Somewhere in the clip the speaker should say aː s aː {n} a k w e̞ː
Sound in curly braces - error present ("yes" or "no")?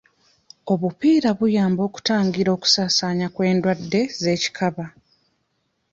yes